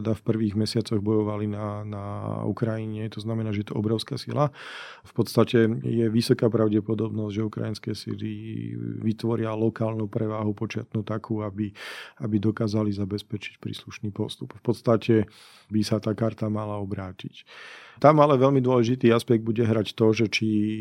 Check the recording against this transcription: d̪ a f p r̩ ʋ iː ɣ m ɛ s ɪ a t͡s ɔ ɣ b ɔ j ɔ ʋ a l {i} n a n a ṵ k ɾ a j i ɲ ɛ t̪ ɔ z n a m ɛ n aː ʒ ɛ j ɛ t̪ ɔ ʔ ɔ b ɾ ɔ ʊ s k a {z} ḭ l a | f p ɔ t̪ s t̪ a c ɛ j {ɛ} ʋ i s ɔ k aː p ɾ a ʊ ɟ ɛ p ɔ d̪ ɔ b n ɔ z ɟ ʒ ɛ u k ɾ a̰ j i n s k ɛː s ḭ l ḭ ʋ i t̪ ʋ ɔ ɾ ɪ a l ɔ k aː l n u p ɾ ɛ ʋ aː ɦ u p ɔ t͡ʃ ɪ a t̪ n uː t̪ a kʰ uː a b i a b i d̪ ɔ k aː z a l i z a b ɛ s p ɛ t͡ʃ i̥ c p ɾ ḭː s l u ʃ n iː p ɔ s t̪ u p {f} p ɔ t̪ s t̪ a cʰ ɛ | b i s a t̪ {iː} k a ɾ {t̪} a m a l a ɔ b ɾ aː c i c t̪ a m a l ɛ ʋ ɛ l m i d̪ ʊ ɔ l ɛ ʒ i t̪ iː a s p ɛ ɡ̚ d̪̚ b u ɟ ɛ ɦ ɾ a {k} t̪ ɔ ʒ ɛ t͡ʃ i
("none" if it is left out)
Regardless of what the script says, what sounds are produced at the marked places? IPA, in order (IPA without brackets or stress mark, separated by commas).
i, s, ɛ, f, aː, t̪, c